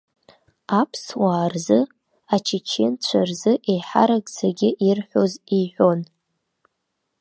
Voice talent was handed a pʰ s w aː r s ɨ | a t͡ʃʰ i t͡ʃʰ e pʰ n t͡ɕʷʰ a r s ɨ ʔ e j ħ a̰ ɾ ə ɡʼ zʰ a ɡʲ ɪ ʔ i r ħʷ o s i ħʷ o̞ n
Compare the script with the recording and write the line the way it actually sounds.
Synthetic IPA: a pʰ s w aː r z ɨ | a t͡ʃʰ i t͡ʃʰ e n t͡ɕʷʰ a r z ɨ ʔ e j ħ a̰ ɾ a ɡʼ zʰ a ɡʲ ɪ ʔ i r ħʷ o z i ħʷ o̞ n